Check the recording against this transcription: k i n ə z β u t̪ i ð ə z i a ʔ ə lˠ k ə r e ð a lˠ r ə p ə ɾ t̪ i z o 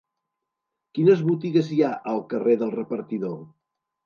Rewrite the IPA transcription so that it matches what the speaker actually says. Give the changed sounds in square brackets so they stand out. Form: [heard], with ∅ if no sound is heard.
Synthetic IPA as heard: k i n ə z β u t̪ i [ɣ] ə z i a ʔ ə lˠ k ə r e ð [ə] lˠ r ə p ə ɾ t̪ i [ð] o

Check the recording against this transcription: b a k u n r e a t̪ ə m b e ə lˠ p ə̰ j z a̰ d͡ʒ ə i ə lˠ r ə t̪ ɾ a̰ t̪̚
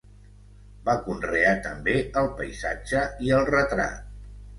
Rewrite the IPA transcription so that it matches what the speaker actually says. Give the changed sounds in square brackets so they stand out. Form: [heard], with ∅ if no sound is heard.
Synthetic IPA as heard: b a k u n r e a t̪ ə m b e ə lˠ p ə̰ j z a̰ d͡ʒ ə i ə lˠ r ə t̪ ɾ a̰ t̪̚

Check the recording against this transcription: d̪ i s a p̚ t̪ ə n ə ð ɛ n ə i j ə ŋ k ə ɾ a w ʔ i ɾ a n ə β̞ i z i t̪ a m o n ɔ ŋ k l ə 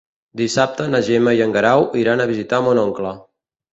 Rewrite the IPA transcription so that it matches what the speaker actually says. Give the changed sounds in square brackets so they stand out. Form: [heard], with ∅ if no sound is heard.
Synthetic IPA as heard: d̪ i s a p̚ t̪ ə n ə [ʒ] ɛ [m] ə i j ə ŋ [ɡ] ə ɾ a w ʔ i ɾ a n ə β̞ i z i t̪ a m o n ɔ ŋ k l ə

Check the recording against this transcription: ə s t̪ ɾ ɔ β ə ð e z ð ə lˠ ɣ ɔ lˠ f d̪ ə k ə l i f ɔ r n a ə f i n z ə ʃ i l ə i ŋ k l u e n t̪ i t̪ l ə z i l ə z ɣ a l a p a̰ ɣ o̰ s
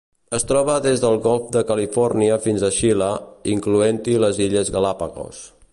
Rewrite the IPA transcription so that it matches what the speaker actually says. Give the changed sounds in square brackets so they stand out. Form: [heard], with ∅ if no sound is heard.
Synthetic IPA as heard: ə s t̪ ɾ ɔ β ə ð e z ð ə lˠ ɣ ɔ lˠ f d̪ ə k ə l i f ɔ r n [i] ə f i n z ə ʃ i l ə i ŋ k l u e n t̪ i [∅] l ə z i [ʎ] ə z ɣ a l a p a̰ ɣ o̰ s

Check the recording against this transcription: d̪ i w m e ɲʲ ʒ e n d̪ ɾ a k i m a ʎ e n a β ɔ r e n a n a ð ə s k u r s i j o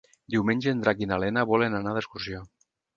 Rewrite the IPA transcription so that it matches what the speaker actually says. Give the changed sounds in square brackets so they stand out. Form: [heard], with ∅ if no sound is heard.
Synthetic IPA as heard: d̪ i w m e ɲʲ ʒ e n d̪ ɾ a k i [n] a [l] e n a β ɔ [l] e n a n a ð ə s k u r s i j o

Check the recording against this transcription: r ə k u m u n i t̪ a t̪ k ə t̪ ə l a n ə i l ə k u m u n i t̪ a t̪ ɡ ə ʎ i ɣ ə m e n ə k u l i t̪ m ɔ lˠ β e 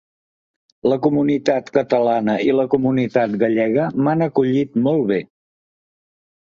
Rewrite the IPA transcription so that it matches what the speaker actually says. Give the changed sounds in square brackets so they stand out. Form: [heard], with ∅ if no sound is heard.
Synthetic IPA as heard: [l] ə k u m u n i t̪ a t̪ k ə t̪ ə l a n ə i l ə k u m u n i t̪ a t̪ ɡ ə ʎ [ɛ] ɣ ə m [a] n ə k u [ʎ] i t̪ m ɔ lˠ β e

